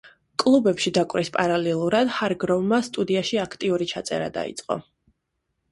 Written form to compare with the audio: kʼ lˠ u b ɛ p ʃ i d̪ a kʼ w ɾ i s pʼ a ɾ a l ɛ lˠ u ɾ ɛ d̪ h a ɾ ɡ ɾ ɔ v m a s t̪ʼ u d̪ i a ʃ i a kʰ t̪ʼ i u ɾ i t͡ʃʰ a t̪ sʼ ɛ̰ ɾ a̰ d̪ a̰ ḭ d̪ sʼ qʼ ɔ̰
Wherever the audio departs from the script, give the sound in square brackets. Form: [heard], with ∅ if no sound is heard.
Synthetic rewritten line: kʼ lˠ u b ɛ p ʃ i d̪ a kʼ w ɾ i s pʼ a ɾ a l ɛ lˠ u ɾ [a] d̪ h a ɾ ɡ ɾ ɔ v m a s t̪ʼ u d̪ i a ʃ i a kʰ t̪ʼ i u ɾ i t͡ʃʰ a t̪ sʼ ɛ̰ ɾ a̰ d̪ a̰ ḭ [t̪] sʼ qʼ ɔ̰